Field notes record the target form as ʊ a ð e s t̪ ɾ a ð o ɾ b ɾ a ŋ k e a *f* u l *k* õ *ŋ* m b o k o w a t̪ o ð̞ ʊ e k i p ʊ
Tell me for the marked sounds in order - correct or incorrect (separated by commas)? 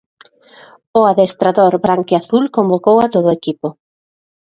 incorrect, correct, incorrect